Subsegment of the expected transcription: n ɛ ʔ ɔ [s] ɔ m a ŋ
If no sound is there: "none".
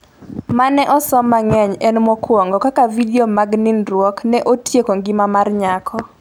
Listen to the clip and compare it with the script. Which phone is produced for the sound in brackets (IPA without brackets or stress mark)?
s